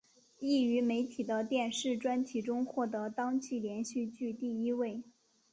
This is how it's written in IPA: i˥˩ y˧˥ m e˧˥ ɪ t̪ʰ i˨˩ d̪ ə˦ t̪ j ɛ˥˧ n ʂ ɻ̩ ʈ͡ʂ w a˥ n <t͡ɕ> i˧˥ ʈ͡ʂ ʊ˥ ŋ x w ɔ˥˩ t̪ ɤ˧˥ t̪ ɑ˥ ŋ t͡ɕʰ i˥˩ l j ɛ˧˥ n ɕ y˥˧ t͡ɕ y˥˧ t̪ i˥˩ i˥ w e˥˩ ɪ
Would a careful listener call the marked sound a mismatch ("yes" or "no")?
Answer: yes